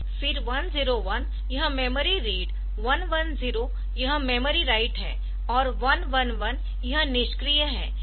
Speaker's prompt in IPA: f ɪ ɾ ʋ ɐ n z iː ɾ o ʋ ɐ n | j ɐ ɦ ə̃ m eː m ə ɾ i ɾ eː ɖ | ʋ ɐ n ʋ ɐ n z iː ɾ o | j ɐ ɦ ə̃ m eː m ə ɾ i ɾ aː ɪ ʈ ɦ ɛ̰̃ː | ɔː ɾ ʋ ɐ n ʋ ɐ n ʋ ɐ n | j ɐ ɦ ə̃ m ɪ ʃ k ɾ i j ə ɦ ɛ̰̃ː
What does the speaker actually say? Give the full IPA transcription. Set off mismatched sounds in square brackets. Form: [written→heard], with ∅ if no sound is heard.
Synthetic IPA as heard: f ɪ ɾ ʋ ɐ n z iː ɾ o ʋ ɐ n | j ɐ ɦ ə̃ m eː m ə ɾ i ɾ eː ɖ | ʋ ɐ n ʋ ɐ n z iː ɾ o | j ɐ ɦ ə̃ m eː m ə ɾ i ɾ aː ɪ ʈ ɦ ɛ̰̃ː | ɔː ɾ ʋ ɐ n ʋ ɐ n ʋ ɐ n | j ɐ ɦ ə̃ [m→n] ɪ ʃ k ɾ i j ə ɦ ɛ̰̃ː